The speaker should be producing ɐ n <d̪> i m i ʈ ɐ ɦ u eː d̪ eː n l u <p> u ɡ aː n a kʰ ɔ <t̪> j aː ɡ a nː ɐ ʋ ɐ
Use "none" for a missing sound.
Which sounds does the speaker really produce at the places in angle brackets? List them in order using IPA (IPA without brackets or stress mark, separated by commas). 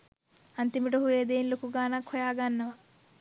t̪, k, none